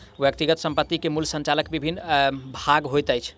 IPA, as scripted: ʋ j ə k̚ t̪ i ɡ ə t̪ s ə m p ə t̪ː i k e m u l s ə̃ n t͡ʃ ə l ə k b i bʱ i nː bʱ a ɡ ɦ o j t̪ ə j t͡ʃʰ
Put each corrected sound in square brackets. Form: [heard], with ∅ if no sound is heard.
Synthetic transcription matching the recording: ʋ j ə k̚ t̪ i ɡ ə t̪ s ə m p ə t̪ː i k e m u l s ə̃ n t͡ʃ [a] l ə k b i bʱ i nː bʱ a ɡ ɦ o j t̪ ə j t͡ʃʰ